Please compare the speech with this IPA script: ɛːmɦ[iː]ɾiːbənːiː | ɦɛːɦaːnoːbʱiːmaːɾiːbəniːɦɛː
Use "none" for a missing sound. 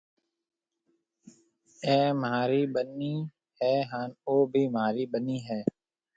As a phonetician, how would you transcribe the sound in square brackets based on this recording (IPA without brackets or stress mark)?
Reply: aː